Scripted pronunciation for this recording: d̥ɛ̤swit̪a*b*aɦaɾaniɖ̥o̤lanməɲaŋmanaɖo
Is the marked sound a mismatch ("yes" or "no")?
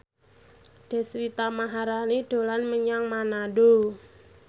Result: yes